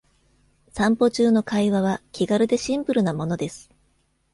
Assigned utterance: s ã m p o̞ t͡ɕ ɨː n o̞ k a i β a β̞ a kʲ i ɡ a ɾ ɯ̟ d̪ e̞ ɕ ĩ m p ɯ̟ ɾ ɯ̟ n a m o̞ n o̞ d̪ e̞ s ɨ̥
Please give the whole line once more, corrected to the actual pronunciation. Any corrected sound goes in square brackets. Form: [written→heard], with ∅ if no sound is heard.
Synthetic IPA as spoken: s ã m p o̞ t͡ɕ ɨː n o̞ k a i β a β̞ a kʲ i ɡ a ɾ ɯ̟ d̪ e̞ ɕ ĩ m p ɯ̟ ɾ ɯ̟ n a m o̞ n o̞ d̪ e̞ s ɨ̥